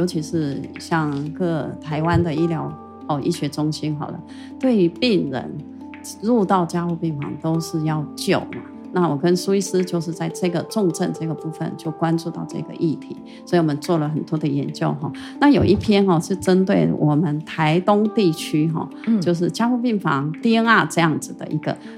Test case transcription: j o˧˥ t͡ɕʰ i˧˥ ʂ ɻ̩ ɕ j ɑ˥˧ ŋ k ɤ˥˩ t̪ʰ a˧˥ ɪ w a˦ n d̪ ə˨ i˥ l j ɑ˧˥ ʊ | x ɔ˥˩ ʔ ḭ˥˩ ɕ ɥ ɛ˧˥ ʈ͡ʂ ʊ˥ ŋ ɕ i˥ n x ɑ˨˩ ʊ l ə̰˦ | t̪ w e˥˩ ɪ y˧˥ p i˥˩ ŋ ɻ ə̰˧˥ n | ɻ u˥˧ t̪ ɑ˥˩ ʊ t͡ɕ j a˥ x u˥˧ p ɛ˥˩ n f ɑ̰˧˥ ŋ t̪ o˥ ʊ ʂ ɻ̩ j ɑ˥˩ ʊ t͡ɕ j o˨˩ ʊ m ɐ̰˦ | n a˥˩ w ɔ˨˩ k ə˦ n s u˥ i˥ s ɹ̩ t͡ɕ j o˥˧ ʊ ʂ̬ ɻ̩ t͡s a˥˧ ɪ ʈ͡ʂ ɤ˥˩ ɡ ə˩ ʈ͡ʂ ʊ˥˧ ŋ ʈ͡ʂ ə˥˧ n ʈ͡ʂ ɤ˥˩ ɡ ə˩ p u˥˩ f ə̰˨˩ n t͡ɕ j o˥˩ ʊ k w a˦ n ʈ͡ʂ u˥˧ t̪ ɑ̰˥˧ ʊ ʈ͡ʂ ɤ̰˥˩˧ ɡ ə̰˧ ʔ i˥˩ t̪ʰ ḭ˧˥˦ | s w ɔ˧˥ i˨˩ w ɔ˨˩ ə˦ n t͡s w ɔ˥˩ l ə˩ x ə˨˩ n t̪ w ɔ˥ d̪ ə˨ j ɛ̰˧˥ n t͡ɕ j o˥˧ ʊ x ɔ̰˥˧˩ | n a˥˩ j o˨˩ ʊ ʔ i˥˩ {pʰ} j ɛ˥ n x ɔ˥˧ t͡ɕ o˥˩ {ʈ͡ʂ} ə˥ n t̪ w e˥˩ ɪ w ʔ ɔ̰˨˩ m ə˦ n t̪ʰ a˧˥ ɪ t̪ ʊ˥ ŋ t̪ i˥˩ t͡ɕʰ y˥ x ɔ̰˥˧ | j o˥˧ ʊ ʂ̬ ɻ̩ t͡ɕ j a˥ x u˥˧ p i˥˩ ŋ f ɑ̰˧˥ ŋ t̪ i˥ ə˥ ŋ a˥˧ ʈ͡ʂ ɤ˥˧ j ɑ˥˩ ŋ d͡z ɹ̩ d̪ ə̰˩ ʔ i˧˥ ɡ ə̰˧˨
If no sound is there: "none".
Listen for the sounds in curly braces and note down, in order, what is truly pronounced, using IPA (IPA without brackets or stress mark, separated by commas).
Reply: pʰ, ʈ͡ʂ